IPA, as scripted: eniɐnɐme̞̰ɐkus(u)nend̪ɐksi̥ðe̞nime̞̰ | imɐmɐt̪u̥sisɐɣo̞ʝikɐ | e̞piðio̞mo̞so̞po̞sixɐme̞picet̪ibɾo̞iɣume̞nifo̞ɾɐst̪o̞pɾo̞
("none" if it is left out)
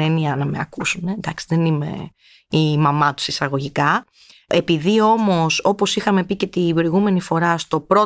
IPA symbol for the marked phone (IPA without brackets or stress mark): u